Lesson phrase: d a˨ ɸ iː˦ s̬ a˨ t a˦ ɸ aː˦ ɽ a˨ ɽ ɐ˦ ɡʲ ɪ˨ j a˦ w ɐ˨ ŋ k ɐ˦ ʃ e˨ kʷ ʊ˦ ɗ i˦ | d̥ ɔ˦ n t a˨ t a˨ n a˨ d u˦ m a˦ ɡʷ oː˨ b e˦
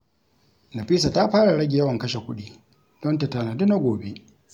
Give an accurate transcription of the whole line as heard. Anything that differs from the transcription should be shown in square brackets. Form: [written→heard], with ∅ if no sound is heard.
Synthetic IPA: [d→n] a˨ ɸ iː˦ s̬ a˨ t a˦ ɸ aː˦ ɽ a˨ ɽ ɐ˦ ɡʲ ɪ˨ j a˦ w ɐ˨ ŋ k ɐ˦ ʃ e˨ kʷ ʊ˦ ɗ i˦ | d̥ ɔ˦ n t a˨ t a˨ n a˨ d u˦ [m→n] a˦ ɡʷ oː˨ b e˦